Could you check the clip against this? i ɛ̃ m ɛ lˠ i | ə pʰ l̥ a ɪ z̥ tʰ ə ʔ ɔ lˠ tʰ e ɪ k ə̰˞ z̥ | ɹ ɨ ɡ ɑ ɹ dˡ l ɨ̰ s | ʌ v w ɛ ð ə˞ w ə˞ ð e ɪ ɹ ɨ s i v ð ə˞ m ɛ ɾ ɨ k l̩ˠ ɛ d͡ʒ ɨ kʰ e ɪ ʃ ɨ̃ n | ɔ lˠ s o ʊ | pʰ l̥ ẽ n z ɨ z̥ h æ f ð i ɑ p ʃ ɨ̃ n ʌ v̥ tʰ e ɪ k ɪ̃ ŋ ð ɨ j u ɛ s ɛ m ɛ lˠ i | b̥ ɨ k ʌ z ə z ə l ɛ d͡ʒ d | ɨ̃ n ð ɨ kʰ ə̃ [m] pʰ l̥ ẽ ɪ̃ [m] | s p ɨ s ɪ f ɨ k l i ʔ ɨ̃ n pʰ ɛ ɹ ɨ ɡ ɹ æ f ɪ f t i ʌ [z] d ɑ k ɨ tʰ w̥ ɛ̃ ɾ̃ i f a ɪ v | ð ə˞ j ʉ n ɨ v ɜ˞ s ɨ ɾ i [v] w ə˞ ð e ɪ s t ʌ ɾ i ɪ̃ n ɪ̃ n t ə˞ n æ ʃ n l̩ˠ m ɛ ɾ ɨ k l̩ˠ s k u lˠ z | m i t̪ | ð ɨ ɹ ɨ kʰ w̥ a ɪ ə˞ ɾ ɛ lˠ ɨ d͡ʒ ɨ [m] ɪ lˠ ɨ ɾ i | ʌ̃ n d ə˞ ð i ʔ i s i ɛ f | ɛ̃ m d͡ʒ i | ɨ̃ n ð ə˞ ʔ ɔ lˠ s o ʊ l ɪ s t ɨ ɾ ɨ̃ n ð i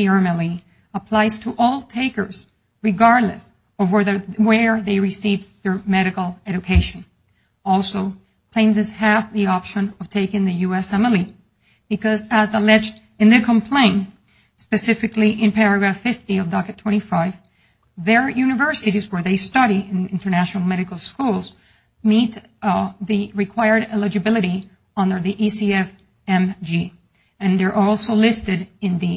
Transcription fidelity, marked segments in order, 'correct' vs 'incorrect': correct, incorrect: n, incorrect: v, incorrect: z, incorrect: b

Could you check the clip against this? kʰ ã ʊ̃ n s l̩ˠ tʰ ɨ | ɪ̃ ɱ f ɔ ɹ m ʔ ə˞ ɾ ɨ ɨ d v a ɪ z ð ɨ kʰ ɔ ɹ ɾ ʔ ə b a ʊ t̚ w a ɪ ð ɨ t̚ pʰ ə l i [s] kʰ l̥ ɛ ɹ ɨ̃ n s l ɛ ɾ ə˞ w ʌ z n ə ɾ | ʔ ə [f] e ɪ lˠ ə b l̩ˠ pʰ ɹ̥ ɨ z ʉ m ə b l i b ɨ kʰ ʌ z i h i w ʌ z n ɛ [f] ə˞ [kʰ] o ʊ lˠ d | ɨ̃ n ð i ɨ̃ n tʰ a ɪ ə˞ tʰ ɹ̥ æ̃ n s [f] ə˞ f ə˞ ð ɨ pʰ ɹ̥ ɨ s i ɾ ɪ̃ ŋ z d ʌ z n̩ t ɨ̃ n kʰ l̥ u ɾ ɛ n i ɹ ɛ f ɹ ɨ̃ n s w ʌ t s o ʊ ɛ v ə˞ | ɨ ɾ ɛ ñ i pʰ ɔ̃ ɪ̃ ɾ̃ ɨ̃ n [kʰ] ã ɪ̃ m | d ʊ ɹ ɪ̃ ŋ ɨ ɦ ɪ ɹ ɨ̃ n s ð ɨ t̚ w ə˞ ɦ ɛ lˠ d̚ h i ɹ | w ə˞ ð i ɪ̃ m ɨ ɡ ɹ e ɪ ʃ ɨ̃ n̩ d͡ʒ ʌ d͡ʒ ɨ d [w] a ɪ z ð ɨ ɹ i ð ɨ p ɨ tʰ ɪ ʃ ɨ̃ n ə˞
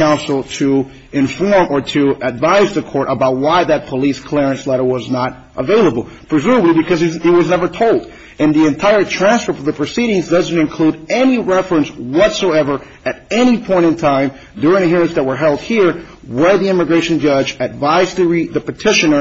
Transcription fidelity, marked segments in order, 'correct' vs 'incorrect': correct, incorrect: v, incorrect: v, incorrect: tʰ, correct, incorrect: tʰ, incorrect: v

